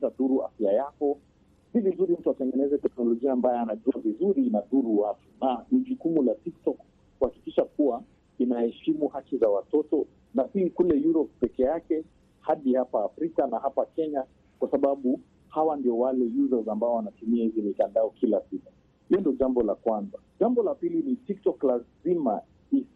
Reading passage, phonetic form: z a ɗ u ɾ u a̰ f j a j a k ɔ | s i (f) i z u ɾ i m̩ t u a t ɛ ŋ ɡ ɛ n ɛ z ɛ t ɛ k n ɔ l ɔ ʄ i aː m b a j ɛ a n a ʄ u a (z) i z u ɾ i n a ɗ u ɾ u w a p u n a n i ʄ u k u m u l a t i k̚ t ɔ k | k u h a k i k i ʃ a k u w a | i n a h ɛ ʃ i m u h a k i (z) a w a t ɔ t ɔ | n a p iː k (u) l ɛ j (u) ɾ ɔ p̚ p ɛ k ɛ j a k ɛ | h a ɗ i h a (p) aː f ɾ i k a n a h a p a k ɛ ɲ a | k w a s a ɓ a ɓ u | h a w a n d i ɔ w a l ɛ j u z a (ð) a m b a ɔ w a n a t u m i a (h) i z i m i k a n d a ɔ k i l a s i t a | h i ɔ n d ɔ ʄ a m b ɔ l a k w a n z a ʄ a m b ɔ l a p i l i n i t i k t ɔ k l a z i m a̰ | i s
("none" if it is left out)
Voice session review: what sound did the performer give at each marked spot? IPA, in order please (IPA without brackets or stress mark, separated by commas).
v, v, z, u, u, p, z, h